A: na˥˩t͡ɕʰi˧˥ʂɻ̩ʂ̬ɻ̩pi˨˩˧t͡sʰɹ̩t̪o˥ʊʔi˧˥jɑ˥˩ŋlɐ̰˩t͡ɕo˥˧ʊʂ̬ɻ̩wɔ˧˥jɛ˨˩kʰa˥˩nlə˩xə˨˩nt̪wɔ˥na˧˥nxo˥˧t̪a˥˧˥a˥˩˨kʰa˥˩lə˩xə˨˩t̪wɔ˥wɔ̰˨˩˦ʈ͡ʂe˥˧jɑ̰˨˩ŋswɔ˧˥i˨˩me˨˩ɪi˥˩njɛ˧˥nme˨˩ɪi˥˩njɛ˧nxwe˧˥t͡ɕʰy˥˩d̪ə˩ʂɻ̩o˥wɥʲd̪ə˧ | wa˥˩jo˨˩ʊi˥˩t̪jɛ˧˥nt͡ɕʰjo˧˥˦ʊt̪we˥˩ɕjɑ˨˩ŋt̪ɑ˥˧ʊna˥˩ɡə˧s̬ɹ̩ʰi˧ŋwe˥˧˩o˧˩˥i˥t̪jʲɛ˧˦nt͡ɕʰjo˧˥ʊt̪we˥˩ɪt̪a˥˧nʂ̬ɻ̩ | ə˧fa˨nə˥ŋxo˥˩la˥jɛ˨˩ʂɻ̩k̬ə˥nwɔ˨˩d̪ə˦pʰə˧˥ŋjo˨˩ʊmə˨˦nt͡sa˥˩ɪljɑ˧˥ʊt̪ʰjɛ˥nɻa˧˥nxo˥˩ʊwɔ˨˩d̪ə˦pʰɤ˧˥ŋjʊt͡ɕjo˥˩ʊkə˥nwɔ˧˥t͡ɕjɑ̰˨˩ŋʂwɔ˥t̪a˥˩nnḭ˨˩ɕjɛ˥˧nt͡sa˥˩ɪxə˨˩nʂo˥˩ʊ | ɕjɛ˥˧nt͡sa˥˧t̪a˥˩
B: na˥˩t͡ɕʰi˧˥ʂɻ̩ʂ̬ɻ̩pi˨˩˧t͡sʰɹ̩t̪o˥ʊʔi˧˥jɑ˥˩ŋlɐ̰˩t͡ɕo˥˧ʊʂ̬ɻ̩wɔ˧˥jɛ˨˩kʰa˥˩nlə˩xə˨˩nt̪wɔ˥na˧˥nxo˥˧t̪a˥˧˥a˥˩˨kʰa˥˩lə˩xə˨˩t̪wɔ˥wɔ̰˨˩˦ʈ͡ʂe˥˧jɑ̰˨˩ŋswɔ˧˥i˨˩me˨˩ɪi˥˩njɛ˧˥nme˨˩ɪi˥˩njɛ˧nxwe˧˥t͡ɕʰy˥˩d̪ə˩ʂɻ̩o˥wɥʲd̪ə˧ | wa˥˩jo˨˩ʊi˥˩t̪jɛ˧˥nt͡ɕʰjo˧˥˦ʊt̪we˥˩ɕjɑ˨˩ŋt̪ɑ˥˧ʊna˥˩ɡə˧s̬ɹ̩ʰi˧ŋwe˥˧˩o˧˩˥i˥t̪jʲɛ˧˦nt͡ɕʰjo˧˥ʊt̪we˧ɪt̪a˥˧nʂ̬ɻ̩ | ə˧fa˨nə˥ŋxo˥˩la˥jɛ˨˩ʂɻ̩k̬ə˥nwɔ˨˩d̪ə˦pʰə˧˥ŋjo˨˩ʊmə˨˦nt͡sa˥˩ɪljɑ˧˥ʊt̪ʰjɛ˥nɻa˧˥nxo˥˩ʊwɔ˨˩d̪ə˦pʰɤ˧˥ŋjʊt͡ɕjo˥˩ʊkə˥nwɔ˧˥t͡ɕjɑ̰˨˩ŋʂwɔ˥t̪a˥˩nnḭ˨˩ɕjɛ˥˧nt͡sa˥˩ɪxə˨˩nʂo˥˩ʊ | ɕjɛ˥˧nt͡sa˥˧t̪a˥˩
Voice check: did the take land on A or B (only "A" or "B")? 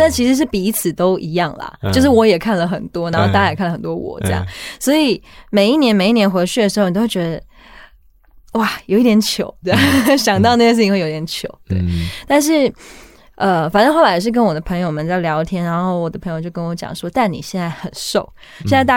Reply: A